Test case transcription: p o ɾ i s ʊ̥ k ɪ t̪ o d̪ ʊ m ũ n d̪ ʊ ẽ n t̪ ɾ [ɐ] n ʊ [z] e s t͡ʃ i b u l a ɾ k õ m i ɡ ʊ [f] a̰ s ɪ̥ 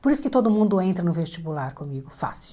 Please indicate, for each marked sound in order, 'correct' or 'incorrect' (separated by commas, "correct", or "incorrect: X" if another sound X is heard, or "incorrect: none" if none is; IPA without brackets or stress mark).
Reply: correct, incorrect: v, correct